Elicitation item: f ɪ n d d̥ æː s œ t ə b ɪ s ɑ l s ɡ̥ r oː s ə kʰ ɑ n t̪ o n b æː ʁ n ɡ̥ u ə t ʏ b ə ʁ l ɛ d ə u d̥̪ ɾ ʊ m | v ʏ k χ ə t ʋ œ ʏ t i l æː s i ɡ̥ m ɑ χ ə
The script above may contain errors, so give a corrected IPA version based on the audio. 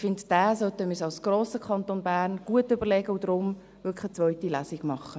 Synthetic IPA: f ɪ n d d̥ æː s œ t ə m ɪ s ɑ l s ɡ̥ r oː s ə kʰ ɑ n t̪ o n b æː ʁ n ɡ̥ u ə t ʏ b ə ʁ l ɛ ɡ ə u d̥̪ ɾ ʊ m | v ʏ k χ ə t͡s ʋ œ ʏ t i l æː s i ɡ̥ m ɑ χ ə